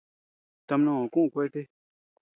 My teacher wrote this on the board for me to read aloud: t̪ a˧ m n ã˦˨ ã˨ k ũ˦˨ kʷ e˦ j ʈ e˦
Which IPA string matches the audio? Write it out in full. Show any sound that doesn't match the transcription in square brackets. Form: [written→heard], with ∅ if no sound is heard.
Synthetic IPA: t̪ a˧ m n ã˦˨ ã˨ k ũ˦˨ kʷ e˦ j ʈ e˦